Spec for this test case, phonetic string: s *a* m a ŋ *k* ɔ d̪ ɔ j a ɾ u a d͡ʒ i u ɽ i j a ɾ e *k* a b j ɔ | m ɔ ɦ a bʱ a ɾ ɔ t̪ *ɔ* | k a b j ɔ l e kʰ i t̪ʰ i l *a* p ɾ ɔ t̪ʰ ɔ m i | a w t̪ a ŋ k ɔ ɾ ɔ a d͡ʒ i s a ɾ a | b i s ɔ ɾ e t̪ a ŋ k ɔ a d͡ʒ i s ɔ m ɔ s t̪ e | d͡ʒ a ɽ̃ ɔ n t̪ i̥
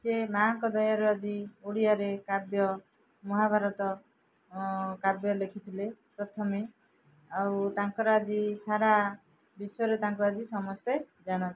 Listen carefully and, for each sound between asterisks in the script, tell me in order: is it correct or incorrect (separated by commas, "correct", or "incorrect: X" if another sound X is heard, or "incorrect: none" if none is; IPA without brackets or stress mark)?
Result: incorrect: e, correct, correct, correct, incorrect: e